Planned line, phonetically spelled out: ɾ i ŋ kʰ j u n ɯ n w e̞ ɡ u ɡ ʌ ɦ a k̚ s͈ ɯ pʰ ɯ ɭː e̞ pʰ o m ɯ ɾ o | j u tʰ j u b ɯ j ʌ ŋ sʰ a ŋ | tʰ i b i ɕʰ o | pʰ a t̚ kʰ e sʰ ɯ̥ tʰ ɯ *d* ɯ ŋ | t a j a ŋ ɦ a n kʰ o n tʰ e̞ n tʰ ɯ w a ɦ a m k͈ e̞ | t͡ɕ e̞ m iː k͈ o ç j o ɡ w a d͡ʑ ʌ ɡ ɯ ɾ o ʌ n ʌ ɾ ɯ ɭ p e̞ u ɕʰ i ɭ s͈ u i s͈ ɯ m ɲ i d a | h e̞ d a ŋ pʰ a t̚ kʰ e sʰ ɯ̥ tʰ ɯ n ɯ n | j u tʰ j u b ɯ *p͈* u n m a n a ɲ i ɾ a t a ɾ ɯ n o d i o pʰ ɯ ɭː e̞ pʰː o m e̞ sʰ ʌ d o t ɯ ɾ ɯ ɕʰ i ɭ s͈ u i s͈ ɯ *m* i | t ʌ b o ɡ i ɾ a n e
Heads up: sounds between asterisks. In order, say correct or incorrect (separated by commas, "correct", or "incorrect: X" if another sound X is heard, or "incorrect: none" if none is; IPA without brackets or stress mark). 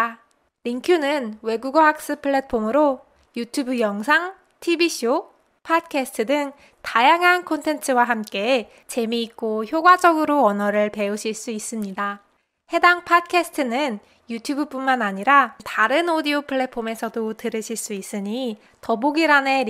correct, correct, incorrect: ɲ